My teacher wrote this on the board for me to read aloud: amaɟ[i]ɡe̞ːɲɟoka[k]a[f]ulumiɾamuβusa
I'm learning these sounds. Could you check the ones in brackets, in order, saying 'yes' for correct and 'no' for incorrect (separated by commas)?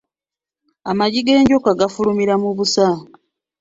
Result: yes, no, yes